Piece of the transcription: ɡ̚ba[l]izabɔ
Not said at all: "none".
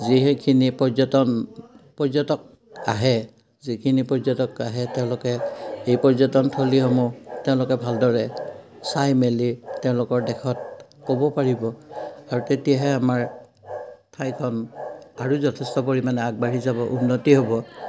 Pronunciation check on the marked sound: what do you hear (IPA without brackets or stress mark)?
ɹ